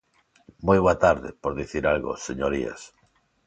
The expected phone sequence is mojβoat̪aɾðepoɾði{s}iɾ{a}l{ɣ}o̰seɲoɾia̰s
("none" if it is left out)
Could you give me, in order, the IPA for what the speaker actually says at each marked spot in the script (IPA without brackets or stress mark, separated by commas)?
θ, a, ɣ